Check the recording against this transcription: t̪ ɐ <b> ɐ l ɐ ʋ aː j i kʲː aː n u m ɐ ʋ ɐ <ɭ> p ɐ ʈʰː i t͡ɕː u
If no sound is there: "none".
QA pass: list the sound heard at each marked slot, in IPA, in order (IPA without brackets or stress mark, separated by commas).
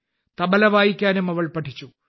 b, ɭ